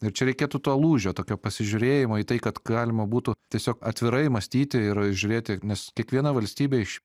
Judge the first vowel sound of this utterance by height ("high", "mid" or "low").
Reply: high